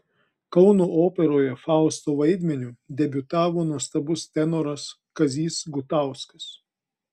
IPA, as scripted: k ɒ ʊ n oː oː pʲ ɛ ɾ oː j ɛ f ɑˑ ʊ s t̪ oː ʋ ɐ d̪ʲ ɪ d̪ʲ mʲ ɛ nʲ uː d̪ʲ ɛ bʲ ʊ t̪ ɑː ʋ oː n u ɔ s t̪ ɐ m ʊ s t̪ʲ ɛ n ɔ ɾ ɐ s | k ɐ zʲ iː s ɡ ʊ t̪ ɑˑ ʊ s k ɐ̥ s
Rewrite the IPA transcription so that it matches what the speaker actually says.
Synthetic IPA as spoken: k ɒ ʊ n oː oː pʲ ɛ ɾ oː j ɛ f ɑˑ ʊ s t̪ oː ʋ ɐ ɪ d̪ʲ mʲ ɛ nʲ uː d̪ʲ ɛ bʲ ʊ t̪ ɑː ʋ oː n u ɔ s t̪ ɐ b ʊ s t̪ʲ ɛ n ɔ ɾ ɐ s | k ɐ zʲ iː s ɡ ʊ t̪ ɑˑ ʊ s k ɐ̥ s